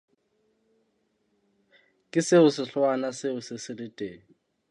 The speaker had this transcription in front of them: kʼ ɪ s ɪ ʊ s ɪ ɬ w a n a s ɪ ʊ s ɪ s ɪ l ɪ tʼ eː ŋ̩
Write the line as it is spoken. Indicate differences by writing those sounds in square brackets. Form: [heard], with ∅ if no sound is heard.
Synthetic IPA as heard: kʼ ɪ s ɪ ʊ s ɪ ɬ w a n a s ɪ ʊ s ɪ s ɪ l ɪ tʼ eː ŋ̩